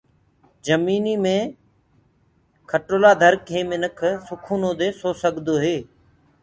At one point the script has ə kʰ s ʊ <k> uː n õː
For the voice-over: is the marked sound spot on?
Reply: no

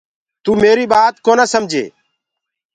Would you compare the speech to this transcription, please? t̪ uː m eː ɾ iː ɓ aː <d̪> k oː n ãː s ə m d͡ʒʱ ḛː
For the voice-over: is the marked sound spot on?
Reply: no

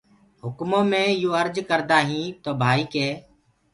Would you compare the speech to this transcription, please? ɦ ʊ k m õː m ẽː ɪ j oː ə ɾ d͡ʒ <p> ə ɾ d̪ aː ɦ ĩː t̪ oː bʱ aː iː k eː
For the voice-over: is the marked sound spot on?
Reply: no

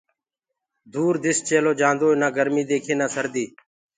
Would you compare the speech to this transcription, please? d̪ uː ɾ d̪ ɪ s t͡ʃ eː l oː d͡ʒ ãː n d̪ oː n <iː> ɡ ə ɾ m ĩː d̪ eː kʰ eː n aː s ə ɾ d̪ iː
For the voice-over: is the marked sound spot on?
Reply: no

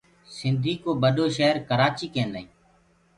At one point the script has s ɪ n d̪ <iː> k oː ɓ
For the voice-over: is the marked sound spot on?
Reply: yes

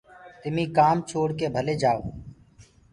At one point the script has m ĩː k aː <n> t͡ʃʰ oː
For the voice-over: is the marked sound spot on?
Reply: no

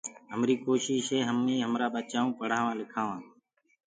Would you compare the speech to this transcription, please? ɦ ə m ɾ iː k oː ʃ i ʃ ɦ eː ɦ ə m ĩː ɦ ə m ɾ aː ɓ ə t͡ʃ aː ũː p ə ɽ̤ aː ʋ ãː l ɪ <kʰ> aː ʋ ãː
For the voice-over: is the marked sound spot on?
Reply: yes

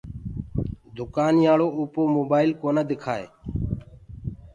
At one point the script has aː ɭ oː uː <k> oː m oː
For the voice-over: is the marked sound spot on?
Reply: no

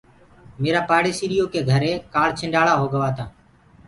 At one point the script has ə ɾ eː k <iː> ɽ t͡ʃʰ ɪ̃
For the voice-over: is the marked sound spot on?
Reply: no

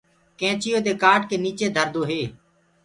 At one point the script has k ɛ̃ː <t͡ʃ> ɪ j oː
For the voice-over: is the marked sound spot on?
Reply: yes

